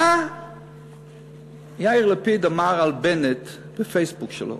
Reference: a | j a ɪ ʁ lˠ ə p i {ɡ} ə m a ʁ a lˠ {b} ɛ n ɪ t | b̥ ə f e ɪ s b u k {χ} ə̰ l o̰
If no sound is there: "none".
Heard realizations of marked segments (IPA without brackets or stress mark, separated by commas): d, b, ʃ